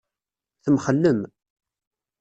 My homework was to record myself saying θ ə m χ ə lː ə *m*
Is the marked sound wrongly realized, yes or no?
no